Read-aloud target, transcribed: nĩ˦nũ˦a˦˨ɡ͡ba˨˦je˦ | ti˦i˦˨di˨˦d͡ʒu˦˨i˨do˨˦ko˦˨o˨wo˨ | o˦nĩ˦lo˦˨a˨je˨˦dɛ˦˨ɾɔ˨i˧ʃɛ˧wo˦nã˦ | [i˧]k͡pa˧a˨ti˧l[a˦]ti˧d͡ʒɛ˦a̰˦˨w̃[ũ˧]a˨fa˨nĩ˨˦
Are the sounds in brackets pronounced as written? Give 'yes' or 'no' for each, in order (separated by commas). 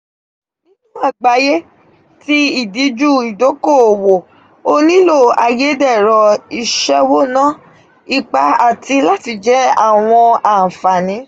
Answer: yes, yes, no